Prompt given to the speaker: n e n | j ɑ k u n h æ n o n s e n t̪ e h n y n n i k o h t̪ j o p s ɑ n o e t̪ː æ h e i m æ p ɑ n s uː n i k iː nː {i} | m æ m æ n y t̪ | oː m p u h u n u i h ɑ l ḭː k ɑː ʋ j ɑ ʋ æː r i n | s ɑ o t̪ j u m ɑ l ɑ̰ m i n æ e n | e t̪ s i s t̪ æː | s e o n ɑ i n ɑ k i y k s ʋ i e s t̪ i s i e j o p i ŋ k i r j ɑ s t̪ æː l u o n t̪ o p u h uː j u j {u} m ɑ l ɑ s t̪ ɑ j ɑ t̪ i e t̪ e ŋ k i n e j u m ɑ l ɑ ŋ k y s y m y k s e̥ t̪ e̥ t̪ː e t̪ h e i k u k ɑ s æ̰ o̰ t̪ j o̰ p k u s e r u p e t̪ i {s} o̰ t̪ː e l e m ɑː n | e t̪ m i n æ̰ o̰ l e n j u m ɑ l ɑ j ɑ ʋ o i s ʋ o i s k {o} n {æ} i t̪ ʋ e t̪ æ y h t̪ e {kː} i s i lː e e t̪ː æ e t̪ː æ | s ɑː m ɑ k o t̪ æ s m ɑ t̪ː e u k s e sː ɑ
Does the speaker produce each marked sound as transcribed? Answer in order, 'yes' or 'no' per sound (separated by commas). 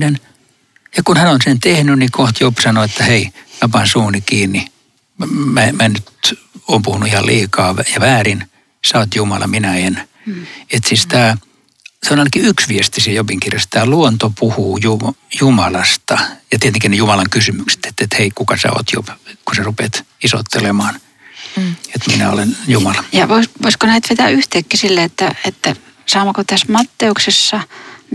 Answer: yes, yes, yes, yes, yes, yes